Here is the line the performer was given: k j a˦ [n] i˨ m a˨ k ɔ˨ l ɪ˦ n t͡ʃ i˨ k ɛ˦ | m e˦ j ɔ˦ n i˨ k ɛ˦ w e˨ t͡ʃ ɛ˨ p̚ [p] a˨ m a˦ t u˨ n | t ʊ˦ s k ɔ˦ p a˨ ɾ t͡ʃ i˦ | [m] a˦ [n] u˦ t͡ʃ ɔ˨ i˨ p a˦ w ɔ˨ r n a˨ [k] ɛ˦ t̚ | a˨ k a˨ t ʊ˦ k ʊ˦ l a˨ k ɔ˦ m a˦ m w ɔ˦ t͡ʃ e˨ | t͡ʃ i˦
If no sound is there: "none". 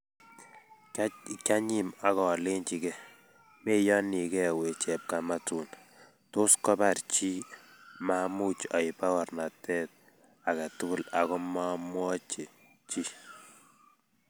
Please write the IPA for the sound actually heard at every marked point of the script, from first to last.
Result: ɲ, k, m, m, t

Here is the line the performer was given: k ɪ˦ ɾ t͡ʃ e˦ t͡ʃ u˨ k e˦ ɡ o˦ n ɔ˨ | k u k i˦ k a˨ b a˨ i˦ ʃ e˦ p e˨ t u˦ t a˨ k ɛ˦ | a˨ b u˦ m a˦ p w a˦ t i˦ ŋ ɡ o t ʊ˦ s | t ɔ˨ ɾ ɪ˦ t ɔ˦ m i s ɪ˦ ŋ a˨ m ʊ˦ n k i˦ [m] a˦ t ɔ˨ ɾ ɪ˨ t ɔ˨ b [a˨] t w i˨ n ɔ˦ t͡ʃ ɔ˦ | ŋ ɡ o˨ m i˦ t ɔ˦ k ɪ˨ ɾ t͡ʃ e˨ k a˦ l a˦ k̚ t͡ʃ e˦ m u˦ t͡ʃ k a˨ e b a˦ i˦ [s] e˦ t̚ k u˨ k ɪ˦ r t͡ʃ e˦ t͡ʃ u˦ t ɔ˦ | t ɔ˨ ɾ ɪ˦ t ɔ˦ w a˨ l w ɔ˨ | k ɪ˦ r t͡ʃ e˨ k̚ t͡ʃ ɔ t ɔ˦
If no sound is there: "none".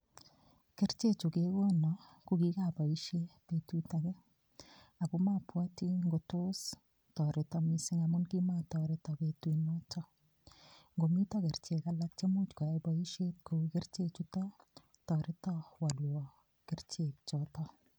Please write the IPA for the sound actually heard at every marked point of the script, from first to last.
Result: m, e˨, ʃ

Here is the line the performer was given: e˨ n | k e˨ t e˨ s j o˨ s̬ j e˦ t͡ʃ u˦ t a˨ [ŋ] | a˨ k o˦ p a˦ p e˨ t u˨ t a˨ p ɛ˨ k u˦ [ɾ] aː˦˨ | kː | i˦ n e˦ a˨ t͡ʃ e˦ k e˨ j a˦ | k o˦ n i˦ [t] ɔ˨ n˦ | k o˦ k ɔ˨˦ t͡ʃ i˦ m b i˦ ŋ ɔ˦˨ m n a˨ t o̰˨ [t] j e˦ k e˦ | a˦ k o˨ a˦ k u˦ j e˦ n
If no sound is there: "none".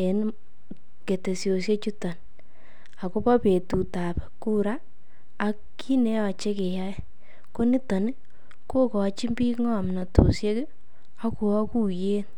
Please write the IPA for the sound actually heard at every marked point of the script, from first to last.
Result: n, ɾ, t, s

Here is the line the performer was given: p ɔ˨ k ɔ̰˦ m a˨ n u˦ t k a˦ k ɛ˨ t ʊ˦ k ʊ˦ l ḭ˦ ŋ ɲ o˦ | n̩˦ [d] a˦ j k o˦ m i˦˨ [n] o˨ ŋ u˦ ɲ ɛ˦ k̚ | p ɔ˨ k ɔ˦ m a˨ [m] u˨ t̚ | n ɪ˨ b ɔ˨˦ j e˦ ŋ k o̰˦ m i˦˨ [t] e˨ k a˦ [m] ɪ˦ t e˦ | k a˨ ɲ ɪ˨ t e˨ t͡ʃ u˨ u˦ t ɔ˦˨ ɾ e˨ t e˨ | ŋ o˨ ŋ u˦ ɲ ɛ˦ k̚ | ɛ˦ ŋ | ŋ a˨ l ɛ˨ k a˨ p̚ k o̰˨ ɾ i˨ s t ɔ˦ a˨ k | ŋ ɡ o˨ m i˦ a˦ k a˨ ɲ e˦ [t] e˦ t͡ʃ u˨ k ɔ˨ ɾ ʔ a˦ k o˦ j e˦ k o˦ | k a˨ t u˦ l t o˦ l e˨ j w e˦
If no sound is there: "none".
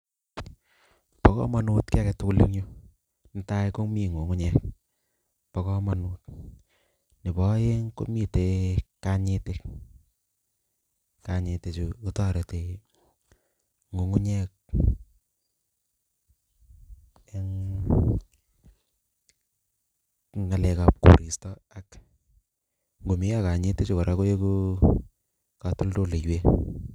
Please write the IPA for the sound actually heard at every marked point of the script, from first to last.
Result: t, ŋ, n, t, ɲ, t

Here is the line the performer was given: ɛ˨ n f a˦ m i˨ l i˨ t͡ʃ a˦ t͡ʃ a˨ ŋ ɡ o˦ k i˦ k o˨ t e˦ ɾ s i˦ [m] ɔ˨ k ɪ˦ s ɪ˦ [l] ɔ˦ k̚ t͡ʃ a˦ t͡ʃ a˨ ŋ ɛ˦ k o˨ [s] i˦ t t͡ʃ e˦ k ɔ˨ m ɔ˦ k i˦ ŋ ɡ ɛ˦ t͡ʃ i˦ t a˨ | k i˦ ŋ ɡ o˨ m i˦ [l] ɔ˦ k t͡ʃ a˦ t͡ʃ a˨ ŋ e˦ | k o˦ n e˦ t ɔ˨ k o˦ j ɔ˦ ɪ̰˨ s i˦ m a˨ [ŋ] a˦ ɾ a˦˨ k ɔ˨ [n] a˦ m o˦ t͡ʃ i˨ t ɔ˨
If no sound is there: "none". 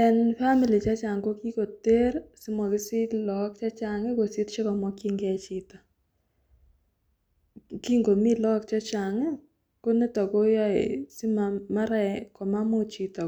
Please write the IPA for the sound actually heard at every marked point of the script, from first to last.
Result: m, l, s, l, m, m

